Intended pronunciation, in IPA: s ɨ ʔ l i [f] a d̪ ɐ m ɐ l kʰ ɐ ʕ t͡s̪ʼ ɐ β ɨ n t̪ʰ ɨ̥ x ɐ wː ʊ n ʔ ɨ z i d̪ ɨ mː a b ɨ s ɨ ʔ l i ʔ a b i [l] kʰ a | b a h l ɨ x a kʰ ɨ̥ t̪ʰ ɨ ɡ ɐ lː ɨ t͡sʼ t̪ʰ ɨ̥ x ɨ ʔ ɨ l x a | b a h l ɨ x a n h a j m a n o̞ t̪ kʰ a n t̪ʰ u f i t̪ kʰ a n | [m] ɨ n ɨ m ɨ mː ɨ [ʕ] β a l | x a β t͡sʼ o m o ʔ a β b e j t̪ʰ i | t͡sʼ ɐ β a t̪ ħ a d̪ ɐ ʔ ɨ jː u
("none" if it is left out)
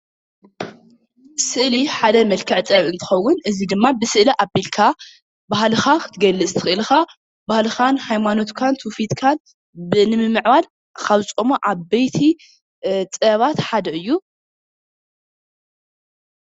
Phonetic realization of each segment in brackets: ħ, l, b, ʕ

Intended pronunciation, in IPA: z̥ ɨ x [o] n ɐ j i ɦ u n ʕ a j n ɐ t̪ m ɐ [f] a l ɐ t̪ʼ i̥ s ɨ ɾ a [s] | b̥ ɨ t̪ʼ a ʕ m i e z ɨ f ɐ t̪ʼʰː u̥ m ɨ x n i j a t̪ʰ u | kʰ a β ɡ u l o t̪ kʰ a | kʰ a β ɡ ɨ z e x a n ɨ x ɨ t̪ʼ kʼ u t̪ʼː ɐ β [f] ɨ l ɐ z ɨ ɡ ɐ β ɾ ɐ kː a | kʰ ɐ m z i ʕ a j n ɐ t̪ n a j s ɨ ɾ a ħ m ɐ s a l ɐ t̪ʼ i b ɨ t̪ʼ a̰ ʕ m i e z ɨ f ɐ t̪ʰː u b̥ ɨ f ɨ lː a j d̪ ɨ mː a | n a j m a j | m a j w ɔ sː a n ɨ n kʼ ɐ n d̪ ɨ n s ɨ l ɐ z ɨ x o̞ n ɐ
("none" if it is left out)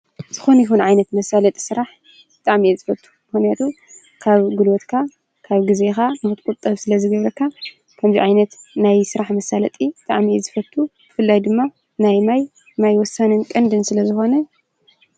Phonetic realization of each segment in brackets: o, s, ħ, s

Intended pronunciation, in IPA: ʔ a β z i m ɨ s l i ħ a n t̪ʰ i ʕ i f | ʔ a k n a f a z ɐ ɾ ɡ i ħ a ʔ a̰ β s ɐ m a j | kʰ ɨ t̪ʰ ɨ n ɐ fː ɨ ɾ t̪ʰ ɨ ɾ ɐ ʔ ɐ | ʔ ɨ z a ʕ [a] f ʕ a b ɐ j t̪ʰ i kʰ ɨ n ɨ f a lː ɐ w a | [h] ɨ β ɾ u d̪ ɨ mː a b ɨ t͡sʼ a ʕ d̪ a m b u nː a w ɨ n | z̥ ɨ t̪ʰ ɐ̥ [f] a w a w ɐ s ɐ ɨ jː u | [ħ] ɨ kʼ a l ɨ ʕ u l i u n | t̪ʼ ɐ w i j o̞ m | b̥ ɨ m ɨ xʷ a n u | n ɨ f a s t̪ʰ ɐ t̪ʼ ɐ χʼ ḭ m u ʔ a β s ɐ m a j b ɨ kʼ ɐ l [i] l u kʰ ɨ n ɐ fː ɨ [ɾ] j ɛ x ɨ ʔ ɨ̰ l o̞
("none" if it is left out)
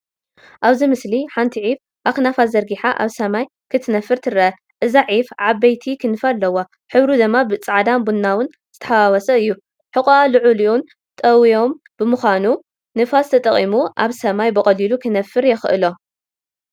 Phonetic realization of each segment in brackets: i, ħ, ħ, ħ, i, ɾ

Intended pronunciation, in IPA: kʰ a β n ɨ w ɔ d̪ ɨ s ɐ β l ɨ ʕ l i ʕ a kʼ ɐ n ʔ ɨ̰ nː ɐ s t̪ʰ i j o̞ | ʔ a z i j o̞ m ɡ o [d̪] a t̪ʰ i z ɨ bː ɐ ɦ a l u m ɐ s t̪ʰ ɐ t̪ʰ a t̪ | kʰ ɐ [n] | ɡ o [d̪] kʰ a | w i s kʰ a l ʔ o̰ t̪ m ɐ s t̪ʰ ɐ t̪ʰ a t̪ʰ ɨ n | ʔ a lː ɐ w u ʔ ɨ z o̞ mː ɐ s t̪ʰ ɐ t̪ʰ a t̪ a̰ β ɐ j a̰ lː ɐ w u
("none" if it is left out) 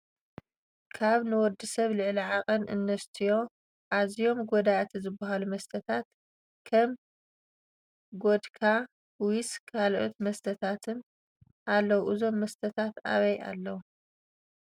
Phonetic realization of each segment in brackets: d̪, m, d̪

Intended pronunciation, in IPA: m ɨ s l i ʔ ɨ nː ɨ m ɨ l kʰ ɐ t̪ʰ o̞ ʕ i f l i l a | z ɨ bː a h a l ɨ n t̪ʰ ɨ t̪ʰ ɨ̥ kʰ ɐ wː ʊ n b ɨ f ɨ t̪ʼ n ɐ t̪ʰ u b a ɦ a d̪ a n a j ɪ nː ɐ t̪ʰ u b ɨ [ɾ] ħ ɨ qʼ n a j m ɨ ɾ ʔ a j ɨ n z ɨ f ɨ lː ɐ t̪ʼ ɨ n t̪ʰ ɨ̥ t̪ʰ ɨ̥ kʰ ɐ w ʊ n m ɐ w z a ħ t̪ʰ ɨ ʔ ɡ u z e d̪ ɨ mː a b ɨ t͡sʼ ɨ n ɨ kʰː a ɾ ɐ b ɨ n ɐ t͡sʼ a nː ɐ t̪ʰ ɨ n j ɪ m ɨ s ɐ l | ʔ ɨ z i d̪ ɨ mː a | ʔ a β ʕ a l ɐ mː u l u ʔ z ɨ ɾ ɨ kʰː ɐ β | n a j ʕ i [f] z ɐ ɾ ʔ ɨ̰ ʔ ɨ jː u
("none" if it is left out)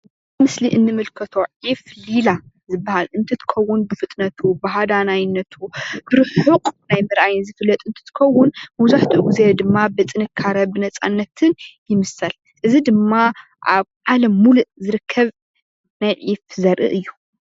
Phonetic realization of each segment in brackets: ɾ, f

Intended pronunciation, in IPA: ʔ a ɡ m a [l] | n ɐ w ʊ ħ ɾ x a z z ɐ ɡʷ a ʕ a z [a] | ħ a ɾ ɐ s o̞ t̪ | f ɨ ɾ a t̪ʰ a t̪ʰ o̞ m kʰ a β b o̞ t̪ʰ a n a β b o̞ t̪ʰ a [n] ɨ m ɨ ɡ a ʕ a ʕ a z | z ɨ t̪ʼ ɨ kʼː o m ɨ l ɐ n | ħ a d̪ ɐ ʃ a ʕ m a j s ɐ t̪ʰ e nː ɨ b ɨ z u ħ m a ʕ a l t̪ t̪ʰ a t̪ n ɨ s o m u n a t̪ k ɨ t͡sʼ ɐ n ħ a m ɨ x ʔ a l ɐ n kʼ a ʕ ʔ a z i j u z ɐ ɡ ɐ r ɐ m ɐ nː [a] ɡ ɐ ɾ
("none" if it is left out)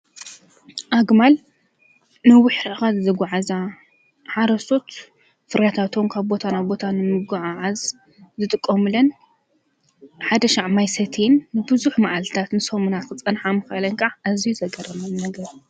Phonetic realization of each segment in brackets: l, a, n, ɐ

